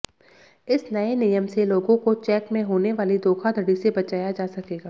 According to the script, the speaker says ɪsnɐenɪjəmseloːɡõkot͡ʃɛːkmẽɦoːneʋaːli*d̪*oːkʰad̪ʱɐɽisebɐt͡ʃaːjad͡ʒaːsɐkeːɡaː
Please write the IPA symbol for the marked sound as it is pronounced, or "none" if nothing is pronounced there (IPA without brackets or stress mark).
d̪